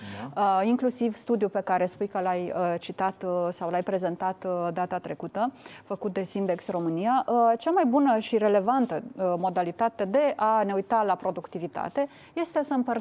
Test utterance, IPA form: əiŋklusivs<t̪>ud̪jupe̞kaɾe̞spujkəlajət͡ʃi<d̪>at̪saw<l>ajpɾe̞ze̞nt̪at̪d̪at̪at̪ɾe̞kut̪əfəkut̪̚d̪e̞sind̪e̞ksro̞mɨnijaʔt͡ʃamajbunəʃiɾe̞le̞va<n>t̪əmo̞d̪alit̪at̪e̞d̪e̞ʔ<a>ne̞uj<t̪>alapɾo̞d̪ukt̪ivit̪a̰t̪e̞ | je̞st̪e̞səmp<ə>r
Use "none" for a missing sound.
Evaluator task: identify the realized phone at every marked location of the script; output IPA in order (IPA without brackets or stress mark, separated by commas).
t̪, t̪, l, n, a, t̪, ə